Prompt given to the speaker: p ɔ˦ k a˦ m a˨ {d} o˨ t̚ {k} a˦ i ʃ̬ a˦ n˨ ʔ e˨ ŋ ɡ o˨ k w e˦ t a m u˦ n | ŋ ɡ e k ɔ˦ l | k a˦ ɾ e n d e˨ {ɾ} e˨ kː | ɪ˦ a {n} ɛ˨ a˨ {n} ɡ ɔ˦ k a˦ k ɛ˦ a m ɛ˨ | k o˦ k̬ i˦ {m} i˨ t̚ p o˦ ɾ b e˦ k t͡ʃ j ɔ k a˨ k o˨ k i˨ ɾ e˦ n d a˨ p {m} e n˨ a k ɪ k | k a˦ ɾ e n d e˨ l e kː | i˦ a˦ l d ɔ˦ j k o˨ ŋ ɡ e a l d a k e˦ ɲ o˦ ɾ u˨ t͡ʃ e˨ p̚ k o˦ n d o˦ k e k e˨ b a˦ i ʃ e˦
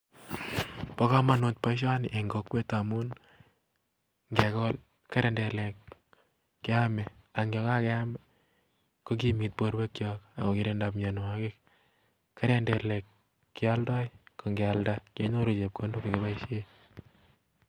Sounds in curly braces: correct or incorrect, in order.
incorrect: n, incorrect: p, incorrect: l, incorrect: m, incorrect: ŋ, correct, incorrect: ɲ

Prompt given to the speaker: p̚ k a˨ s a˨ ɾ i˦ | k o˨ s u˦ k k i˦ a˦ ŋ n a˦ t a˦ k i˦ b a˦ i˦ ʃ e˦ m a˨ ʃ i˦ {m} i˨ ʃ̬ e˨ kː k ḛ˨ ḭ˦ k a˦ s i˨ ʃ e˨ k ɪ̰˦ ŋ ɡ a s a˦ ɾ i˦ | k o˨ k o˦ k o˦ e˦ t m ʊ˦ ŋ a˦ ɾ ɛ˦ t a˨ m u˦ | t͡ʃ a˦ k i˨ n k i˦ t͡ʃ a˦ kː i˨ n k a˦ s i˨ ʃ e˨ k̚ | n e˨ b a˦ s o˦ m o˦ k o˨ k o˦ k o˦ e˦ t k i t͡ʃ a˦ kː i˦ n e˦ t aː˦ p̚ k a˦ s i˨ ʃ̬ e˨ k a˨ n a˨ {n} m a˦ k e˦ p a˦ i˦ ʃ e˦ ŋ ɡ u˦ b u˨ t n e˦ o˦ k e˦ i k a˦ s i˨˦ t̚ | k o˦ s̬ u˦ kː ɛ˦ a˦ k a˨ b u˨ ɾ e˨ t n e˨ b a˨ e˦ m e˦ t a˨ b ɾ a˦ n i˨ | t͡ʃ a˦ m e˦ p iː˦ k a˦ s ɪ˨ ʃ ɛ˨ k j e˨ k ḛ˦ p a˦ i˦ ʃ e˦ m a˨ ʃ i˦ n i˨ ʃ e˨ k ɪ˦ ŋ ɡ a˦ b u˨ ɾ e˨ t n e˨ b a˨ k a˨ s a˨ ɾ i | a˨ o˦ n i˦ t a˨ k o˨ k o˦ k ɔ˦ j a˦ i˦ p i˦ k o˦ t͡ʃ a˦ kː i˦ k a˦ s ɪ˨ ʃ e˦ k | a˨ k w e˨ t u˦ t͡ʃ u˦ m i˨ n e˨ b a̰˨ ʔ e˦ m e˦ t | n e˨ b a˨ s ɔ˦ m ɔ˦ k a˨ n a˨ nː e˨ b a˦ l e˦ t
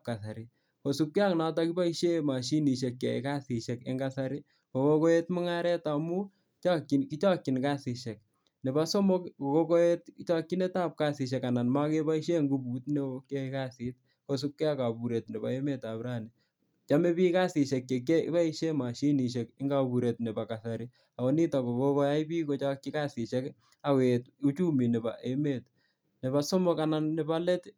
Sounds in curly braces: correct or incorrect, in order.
incorrect: n, correct

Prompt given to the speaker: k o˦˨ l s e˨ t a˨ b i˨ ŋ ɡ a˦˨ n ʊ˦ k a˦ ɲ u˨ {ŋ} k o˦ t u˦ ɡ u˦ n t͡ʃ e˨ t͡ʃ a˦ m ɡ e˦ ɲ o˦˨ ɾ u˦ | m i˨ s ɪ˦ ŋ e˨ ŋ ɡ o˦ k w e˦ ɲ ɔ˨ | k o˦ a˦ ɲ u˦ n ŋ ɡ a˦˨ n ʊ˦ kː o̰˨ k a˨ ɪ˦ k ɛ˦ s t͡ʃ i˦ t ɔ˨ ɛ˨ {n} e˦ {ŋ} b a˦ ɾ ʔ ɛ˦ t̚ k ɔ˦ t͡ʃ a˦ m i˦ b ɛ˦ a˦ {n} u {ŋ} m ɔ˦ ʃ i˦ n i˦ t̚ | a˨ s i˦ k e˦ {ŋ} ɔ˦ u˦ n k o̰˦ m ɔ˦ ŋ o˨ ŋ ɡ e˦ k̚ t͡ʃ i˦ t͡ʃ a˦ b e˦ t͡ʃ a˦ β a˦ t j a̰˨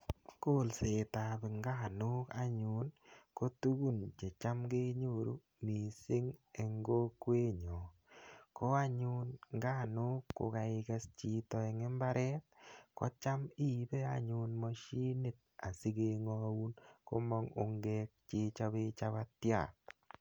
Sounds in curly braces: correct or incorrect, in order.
incorrect: n, incorrect: ŋ, incorrect: m, incorrect: ɲ, incorrect: n, correct

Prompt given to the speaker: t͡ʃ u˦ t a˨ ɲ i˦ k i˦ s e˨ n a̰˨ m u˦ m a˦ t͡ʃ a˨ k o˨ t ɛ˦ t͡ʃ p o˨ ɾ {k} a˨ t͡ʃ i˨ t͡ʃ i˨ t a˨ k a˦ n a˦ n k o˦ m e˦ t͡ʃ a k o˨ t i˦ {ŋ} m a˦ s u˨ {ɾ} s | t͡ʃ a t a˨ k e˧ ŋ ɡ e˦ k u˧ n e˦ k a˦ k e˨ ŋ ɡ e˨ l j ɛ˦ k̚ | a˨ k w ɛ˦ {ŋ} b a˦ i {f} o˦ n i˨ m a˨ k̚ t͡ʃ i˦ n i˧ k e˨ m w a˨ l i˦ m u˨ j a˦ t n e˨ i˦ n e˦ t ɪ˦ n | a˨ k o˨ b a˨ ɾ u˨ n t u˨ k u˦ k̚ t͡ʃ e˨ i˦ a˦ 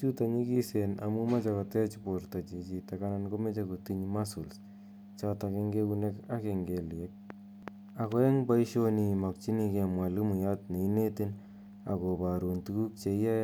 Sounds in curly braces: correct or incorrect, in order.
incorrect: t, incorrect: ɲ, incorrect: l, correct, incorrect: ʃ

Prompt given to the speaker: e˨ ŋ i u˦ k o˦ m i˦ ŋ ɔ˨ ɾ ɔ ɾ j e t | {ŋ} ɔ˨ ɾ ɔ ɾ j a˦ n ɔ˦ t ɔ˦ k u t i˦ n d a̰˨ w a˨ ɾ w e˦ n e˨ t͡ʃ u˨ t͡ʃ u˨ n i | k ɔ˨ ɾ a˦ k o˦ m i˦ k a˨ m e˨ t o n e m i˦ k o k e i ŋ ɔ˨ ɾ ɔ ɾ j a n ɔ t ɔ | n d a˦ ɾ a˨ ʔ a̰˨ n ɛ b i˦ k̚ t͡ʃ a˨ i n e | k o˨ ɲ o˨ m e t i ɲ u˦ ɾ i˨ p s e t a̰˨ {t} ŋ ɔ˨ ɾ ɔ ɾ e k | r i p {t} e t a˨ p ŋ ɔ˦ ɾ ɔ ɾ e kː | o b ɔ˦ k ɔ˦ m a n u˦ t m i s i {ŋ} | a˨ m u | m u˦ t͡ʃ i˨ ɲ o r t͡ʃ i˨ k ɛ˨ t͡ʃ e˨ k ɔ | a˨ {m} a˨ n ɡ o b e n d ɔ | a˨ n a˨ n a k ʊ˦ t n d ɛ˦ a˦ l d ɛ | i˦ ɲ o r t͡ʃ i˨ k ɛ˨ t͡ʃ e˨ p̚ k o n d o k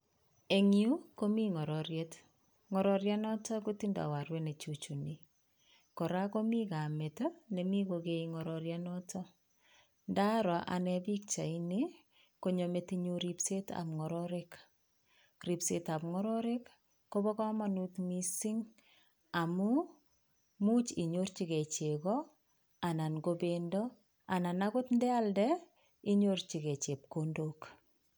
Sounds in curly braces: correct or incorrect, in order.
correct, incorrect: p, incorrect: s, correct, incorrect: n

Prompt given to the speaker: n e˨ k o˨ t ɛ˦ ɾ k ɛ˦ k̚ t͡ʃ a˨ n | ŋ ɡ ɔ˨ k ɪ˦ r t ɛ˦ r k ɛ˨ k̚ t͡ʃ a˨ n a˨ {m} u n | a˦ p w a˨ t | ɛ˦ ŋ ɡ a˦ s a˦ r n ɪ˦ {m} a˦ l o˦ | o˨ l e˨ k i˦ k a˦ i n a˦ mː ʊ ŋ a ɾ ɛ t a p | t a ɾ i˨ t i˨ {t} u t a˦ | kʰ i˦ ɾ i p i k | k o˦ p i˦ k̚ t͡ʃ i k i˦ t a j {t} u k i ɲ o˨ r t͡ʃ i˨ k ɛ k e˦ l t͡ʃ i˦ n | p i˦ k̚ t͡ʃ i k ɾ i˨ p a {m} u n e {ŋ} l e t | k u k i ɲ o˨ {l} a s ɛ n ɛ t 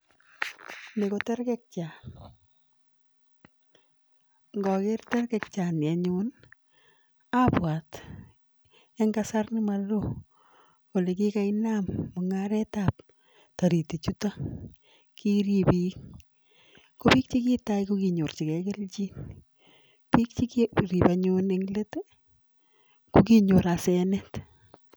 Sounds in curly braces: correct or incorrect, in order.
incorrect: ɲ, correct, incorrect: t͡ʃ, incorrect: k, incorrect: ɲ, correct, incorrect: ɾ

